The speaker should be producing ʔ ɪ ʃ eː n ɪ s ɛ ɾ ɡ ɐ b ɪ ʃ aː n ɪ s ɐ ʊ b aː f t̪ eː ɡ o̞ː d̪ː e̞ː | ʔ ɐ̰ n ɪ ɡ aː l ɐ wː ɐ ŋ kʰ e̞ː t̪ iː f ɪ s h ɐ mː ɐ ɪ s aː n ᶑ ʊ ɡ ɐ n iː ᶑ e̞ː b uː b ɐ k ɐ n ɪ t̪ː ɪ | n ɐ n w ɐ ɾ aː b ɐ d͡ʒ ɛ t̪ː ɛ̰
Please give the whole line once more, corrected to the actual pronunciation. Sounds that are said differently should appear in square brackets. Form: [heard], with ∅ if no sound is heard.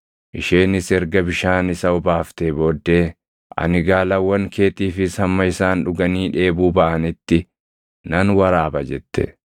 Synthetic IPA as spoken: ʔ ɪ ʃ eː n ɪ s ɛ ɾ ɡ ɐ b ɪ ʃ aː n ɪ s ɐ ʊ b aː f t̪ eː [b] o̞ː d̪ː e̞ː | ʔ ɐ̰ n ɪ ɡ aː l ɐ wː ɐ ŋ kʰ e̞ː t̪ iː f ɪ s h ɐ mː ɐ ɪ s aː n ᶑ ʊ ɡ ɐ n iː ᶑ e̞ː b uː b ɐ [ʔ] ɐ n ɪ t̪ː ɪ | n ɐ n w ɐ ɾ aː b ɐ d͡ʒ ɛ t̪ː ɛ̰